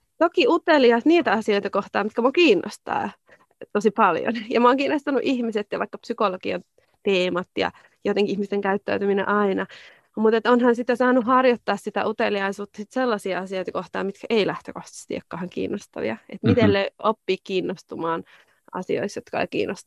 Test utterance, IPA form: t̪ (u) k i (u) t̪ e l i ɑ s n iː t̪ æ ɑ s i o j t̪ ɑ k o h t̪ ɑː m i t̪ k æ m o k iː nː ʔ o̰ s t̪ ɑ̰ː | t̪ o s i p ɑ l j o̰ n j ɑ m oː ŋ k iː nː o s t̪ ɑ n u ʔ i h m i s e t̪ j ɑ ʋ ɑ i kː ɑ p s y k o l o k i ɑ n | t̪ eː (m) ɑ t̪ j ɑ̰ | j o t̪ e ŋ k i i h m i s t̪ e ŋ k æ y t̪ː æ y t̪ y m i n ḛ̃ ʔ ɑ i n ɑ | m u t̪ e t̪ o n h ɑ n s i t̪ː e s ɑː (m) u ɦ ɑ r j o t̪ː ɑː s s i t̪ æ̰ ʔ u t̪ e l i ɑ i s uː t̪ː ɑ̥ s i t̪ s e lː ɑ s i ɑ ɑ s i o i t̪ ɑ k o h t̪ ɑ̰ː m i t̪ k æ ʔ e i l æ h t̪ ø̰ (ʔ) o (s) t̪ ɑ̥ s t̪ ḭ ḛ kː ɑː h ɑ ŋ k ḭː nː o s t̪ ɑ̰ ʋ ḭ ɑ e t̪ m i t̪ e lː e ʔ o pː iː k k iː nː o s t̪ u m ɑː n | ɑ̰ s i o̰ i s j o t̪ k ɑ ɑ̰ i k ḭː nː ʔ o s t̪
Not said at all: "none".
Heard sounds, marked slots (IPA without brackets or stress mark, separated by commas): o, u, m, n, k, h